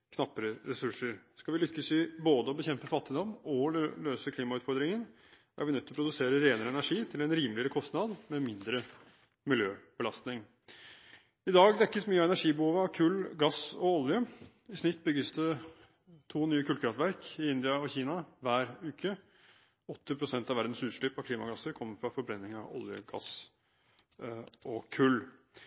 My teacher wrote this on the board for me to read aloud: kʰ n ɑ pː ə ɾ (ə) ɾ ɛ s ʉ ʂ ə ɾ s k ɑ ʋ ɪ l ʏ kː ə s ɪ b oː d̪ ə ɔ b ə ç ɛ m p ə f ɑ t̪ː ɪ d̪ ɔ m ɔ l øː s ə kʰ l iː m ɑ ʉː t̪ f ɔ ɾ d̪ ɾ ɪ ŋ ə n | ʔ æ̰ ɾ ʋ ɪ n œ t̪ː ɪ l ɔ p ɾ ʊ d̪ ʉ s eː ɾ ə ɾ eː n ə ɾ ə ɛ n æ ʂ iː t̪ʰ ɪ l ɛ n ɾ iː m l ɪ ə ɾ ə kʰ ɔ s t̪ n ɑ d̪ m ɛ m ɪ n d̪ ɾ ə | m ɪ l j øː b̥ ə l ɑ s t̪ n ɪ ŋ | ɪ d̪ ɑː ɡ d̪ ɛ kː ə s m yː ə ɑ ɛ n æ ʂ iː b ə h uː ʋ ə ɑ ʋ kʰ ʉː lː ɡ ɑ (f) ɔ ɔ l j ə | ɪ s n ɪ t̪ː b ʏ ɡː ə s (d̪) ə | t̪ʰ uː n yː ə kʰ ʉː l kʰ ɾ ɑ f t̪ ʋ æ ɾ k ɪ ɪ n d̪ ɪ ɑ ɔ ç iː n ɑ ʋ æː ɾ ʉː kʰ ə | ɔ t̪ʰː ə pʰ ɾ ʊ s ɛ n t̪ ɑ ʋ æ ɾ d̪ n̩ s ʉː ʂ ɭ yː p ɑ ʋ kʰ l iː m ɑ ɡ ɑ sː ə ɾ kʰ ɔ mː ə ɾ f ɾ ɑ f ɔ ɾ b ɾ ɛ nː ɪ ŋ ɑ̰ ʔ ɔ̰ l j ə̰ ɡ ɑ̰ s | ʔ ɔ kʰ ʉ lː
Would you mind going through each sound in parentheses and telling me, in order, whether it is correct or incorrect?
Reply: correct, incorrect: s, correct

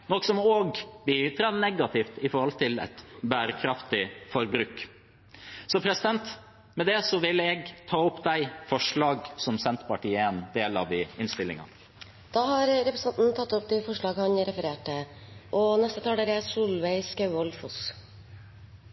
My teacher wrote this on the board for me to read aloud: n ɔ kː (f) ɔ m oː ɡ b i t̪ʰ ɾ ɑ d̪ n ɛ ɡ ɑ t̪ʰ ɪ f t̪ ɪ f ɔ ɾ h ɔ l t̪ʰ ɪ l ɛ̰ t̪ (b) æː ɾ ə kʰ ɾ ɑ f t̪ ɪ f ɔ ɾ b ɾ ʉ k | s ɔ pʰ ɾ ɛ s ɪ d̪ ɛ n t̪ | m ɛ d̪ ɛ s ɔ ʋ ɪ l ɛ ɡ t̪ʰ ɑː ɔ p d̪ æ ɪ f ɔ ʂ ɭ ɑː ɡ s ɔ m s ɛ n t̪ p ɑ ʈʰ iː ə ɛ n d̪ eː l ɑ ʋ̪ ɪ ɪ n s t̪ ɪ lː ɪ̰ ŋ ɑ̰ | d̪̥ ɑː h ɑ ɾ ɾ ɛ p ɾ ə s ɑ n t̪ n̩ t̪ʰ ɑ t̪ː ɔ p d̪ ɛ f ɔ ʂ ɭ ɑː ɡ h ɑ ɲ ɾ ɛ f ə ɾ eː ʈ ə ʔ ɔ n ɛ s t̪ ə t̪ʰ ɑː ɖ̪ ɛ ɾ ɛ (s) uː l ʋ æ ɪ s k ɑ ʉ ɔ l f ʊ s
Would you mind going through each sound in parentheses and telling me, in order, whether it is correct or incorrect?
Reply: incorrect: s, correct, correct

